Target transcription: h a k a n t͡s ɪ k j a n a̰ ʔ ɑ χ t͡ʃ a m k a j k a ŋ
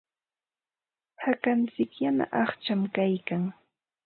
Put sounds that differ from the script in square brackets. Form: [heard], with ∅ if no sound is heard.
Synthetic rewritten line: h a k a n t͡s ɪ k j a n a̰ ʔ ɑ χ t͡ʃ a m k a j k a ŋ